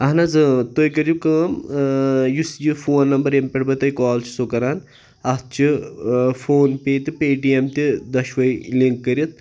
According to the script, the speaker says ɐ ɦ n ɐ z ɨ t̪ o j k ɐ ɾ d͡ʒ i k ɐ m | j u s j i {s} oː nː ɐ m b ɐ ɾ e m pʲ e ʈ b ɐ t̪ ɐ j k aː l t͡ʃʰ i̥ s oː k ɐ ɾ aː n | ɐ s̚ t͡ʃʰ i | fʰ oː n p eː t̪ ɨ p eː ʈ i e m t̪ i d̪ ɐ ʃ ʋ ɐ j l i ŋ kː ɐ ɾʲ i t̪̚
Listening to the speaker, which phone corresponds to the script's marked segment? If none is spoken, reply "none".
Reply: f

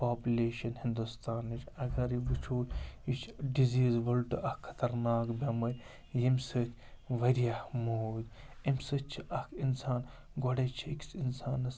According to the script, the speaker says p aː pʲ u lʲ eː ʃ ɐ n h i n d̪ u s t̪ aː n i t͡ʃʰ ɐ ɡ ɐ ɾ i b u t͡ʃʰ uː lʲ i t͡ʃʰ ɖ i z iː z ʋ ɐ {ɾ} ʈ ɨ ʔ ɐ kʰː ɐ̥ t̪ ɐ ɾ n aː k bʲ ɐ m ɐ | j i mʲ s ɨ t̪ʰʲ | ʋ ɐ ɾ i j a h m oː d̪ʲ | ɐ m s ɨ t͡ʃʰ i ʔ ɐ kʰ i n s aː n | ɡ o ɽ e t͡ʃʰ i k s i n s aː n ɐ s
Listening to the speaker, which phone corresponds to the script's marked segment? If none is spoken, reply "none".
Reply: l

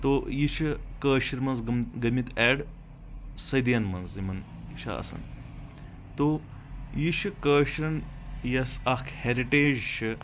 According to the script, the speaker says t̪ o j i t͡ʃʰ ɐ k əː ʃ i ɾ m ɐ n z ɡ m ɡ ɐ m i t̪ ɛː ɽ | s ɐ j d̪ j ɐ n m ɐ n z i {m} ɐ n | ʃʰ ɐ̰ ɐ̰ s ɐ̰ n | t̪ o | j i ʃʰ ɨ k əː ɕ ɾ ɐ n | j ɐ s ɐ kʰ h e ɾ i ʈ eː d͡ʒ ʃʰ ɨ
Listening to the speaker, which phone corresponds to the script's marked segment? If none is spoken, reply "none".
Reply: m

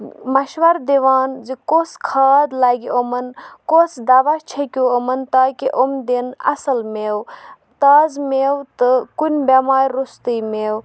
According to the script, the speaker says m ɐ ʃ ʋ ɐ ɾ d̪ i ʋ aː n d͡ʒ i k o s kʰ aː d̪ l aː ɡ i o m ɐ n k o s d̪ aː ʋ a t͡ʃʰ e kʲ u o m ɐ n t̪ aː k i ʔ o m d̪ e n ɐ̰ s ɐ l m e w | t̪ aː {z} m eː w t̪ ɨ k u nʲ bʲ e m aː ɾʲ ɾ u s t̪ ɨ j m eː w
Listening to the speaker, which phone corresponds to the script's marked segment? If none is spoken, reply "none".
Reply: z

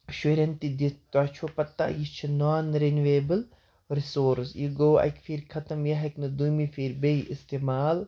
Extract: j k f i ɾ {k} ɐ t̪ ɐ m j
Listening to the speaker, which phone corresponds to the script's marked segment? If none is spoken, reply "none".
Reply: kʰ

